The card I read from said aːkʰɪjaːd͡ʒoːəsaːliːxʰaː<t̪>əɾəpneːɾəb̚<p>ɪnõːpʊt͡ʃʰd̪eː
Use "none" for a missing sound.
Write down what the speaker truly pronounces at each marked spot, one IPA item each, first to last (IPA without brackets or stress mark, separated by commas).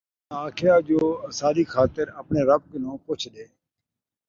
t̪, k